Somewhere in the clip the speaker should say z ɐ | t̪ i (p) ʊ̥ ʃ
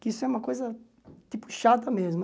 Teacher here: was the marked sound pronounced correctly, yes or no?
yes